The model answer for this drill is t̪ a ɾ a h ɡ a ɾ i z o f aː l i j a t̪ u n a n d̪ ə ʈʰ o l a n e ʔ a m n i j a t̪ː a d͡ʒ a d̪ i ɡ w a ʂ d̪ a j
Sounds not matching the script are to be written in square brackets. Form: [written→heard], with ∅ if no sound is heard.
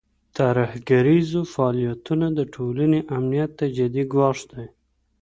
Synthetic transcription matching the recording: t̪ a ɾ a h ɡ a ɾ i z o f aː l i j a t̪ u n a [n→∅] d̪ ə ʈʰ o l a n e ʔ a m n i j a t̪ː a d͡ʒ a d̪ i ɡ w [a→ɑ] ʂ d̪ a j